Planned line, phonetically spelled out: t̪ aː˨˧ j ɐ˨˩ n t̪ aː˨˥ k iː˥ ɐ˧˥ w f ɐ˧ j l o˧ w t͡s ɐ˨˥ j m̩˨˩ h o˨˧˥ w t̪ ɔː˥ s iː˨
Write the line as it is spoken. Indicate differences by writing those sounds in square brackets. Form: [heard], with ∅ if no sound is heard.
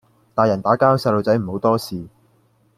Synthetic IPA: t̪ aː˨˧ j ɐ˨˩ n t̪ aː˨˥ k [aː˥] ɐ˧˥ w [s] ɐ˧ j l o˧ w t͡s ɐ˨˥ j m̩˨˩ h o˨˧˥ w t̪ ɔː˥ s iː˨

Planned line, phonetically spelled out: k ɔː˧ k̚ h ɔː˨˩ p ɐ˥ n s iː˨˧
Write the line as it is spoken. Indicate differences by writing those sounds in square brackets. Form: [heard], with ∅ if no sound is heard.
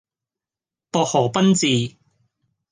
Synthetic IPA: [p] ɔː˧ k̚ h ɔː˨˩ p ɐ˥ n [t͡s] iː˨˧

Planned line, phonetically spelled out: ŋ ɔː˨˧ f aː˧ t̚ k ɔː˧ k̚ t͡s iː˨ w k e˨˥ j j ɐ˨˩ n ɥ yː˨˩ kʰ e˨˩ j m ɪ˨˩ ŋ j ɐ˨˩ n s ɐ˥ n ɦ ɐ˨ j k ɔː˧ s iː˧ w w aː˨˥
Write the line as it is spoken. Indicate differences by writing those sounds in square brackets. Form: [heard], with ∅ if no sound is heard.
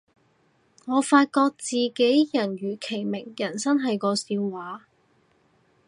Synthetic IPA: ŋ ɔː˨˧ f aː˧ t̚ k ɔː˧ k̚ t͡s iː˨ [∅] k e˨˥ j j ɐ˨˩ n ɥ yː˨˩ kʰ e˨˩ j m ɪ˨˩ ŋ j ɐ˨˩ n s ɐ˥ n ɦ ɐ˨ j k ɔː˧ s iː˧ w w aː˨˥

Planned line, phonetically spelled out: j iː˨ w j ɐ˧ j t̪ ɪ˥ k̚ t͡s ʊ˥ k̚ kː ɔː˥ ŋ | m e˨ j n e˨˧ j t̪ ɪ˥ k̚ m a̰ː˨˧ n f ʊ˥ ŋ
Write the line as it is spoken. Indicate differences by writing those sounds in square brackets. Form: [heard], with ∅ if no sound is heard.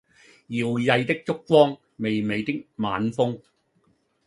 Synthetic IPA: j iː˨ w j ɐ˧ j t̪ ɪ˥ k̚ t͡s ʊ˥ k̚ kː ɔː˥ ŋ | m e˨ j [m] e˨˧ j t̪ ɪ˥ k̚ m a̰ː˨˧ n f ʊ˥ ŋ

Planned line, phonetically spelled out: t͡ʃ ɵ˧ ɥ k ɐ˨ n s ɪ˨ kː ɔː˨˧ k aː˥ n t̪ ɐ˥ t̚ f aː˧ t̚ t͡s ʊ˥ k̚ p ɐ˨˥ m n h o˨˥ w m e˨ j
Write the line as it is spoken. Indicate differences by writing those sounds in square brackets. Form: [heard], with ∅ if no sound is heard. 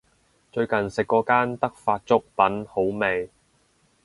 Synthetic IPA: t͡ʃ ɵ˧ ɥ k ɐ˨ n s ɪ˨ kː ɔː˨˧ k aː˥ n t̪ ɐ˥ [k̚] f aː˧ t̚ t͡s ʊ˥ k̚ p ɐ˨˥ [∅] n h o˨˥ w m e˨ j

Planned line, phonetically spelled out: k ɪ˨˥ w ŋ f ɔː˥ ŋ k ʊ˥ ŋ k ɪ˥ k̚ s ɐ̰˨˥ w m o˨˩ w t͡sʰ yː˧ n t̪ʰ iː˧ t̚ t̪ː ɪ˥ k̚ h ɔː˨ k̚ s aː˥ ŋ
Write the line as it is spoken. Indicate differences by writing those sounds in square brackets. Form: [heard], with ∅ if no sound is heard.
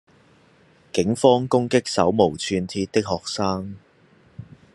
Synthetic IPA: k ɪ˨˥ [∅] ŋ f ɔː˥ ŋ k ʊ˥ ŋ k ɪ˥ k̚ s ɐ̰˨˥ w m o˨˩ w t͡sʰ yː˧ n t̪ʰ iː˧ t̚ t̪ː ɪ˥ k̚ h ɔː˨ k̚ s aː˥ ŋ

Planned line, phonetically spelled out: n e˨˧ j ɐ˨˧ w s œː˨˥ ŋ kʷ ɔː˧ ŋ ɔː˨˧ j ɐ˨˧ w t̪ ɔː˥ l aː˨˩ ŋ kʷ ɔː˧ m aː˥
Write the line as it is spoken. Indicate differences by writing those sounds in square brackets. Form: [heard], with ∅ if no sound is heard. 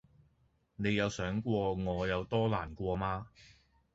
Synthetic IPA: n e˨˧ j ɐ˨˧ w s œː˨˥ ŋ kʷ ɔː˧ ŋ ɔː˨˧ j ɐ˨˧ w t̪ ɔː˥ l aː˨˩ [n] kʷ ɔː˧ m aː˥

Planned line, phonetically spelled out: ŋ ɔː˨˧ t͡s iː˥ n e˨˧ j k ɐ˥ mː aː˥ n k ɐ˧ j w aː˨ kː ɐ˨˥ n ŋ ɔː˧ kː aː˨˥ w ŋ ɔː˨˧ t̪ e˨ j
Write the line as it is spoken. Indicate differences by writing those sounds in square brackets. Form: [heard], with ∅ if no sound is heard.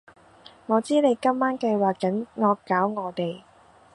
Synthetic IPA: ŋ ɔː˨˧ t͡s iː˥ n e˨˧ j k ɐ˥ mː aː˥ n k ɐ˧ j w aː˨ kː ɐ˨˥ n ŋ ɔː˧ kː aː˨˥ w ŋ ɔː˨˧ t̪ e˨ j

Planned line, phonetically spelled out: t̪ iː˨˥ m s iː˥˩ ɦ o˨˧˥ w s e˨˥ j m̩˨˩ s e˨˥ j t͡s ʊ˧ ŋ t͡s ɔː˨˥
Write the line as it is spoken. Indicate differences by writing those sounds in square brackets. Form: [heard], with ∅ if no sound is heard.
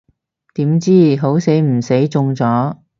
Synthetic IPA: t̪ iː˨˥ m [t͡s] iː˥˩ ɦ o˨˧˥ w s e˨˥ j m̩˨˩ s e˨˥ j t͡s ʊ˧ ŋ t͡s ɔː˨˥

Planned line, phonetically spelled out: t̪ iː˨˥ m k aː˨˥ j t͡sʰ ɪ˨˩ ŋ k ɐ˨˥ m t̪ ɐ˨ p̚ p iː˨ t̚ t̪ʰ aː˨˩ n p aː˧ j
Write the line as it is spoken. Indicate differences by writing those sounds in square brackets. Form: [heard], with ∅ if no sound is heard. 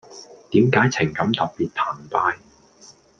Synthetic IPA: t̪ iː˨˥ m k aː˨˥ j t͡sʰ ɪ˨˩ ŋ k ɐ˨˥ m t̪ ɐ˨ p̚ p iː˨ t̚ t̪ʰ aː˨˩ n p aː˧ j

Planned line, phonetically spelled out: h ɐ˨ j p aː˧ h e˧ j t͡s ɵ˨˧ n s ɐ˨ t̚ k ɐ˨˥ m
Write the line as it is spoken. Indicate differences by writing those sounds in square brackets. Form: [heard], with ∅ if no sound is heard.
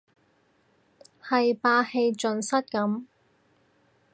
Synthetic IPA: h ɐ˨ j p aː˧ h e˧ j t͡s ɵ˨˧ n s [ɐ˥] t̚ k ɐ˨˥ m

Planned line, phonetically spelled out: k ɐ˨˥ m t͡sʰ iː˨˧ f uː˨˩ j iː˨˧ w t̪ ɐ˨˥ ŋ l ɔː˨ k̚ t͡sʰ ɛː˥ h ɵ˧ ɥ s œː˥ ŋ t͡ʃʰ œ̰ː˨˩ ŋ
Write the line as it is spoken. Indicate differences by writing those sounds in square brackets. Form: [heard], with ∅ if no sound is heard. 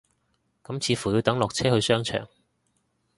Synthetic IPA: k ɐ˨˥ m t͡sʰ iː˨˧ f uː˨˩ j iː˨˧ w t̪ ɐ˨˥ ŋ l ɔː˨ k̚ t͡sʰ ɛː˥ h ɵ˧ ɥ s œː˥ ŋ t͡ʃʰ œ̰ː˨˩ ŋ

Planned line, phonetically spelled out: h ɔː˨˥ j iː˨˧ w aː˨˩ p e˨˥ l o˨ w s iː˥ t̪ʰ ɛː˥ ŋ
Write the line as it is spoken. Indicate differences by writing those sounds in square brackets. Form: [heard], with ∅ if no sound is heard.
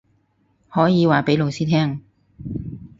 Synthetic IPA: h ɔː˨˥ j iː˨˧ w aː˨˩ p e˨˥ l o˨ w s iː˥ t̪ʰ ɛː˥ ŋ

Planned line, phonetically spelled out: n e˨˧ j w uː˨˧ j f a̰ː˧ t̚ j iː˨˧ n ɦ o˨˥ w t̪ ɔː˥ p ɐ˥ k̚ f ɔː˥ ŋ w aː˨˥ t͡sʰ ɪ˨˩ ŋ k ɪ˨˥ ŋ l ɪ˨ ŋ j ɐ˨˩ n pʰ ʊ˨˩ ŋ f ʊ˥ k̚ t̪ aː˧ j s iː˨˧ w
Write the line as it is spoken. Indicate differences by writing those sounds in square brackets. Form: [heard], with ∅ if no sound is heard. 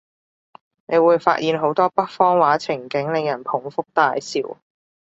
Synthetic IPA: n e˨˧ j w uː˨˧ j f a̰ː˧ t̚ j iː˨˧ n ɦ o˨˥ w t̪ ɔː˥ p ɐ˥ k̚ f ɔː˥ ŋ w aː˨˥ t͡sʰ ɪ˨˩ ŋ k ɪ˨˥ ŋ l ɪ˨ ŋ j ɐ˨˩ n pʰ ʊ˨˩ ŋ f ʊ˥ k̚ t̪ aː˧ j s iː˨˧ w

